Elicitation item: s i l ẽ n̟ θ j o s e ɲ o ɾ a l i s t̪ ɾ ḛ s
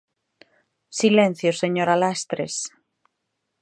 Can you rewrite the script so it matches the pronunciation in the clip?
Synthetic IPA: s i l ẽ n̟ θ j o s e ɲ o ɾ a l a s t̪ ɾ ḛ s